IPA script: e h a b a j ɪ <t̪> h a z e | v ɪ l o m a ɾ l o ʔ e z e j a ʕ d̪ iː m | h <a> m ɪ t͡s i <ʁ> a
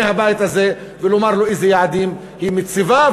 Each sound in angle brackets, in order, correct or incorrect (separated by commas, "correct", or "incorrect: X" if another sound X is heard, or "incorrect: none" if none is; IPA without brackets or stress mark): correct, incorrect: i, incorrect: v